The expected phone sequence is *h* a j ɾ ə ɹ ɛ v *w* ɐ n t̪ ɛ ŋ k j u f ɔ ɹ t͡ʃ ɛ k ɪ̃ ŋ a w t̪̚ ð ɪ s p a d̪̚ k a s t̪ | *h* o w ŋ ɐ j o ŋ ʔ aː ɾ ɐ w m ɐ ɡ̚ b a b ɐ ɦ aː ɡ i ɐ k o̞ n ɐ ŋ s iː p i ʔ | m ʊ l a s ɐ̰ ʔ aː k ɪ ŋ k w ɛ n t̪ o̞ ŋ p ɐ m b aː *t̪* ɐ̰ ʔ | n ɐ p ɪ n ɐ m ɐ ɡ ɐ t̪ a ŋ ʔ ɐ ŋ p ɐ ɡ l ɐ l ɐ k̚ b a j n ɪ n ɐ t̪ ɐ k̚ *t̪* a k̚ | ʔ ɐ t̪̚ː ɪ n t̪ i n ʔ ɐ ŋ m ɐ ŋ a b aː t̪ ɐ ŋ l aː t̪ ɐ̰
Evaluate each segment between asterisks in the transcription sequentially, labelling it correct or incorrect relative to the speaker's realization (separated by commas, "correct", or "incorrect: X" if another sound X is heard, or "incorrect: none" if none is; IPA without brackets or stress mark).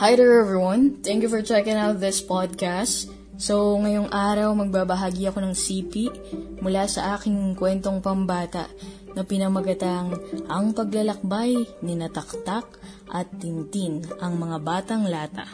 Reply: correct, correct, incorrect: s, correct, correct